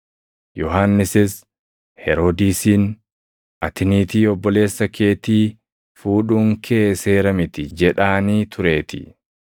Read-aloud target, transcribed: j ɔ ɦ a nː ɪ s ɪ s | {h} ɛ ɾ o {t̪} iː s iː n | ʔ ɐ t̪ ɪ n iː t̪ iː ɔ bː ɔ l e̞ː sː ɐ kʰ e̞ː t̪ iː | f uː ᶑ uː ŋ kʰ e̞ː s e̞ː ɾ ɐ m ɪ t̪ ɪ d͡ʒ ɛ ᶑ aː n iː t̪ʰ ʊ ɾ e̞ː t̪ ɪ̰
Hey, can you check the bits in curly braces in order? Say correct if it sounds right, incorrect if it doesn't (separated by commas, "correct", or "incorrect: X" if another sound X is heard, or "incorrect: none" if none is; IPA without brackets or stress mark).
correct, incorrect: d̪